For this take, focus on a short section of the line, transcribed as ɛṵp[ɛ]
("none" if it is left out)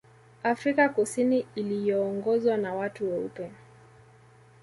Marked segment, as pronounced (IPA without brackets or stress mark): ɛ